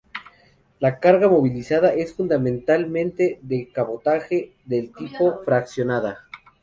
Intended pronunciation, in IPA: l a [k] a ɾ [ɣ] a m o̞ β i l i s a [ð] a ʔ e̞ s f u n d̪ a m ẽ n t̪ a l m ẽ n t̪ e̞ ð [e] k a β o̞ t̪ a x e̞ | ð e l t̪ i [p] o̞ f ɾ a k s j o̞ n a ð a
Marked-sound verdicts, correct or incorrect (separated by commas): correct, correct, correct, correct, correct